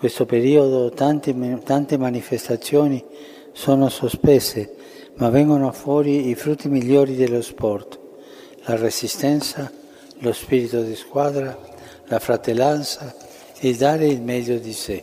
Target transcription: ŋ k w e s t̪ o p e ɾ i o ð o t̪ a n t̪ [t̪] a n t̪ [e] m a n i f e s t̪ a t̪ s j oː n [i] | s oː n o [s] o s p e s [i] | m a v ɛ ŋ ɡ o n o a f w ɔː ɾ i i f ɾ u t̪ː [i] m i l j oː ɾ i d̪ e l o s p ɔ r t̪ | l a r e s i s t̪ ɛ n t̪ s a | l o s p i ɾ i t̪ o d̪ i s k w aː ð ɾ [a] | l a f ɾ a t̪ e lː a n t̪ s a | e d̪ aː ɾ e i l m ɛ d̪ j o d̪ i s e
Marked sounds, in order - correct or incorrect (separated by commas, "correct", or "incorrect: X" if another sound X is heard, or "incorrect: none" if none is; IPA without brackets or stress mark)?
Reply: correct, correct, correct, correct, incorrect: e, correct, correct